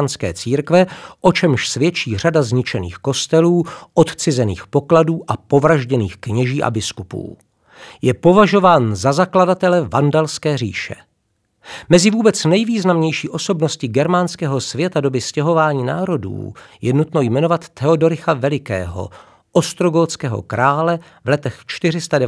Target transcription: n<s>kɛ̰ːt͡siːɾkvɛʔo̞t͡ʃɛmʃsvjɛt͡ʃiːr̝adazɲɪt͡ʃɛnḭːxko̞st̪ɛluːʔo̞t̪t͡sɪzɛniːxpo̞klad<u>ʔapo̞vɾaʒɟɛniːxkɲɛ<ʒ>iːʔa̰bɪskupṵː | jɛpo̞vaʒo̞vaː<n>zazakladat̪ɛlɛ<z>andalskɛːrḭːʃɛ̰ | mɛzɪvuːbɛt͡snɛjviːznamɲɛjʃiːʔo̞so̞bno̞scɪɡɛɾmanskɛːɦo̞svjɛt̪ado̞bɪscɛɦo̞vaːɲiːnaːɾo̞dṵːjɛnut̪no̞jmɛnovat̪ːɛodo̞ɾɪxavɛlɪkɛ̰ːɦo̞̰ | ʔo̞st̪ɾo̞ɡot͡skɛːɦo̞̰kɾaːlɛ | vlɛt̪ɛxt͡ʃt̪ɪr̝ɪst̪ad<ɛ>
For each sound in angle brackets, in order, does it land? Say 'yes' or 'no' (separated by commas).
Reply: yes, no, yes, yes, no, yes